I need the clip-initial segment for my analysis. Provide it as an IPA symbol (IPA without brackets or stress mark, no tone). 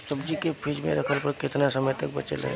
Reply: s